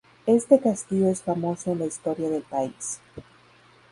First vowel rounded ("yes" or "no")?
no